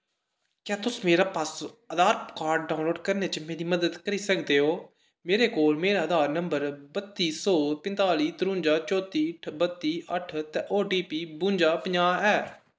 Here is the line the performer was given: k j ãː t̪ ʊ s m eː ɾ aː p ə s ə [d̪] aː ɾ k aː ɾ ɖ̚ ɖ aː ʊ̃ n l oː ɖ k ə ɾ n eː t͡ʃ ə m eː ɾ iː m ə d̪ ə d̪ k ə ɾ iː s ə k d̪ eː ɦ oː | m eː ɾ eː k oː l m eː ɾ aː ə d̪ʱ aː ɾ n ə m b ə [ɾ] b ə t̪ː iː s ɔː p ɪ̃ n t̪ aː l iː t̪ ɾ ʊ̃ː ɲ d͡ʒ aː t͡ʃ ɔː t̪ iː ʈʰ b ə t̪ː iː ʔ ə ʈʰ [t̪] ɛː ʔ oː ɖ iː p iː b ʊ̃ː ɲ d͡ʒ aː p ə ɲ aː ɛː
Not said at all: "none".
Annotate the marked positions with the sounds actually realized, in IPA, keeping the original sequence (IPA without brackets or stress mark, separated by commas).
d̪, ɾ, t̪